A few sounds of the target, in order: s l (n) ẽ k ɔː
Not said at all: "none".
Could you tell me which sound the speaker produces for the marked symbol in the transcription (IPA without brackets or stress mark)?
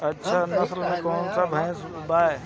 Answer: m